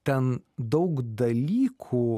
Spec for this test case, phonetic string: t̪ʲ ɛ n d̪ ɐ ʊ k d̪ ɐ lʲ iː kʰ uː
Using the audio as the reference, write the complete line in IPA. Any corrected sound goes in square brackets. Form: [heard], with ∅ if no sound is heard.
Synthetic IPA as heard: t̪ʲ ɛ n d̪ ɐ ʊ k d̪ ɐ lʲ iː kʰ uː